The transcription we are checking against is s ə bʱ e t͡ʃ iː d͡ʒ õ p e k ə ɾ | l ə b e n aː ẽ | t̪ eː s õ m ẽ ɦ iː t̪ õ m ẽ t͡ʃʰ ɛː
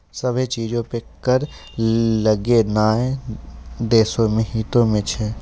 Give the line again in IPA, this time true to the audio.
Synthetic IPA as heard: s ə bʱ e t͡ʃ iː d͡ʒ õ p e k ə ɾ | l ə ɡ e n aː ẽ | d̪ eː s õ m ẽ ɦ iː t̪ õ m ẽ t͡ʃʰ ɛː

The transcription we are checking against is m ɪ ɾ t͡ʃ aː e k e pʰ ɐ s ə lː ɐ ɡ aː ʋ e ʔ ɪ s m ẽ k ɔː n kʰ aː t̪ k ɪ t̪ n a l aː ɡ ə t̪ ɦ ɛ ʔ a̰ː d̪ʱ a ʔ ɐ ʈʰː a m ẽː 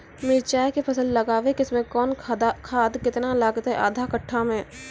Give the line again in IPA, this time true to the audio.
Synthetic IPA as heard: m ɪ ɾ t͡ʃ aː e k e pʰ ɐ s ə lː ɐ ɡ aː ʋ e k ɪ s m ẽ k ɔː n kʰ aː d̪ k ɪ t̪ n a l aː ɡ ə t̪ ɦ ɛ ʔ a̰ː d̪ʱ a k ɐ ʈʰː a m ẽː

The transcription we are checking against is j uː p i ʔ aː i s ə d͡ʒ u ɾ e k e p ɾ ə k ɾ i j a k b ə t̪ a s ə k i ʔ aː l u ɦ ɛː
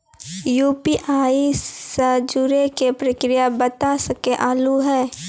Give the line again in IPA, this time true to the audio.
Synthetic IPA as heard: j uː p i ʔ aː i s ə d͡ʒ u ɾ e k e p ɾ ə k ɾ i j a b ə t̪ a s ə k e ʔ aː l u ɦ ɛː

